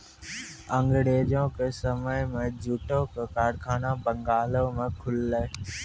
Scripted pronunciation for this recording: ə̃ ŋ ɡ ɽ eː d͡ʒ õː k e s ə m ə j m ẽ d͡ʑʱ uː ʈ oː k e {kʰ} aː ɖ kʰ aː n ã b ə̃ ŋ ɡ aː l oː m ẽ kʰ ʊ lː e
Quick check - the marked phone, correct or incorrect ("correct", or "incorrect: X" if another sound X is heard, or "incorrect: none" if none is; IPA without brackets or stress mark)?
incorrect: k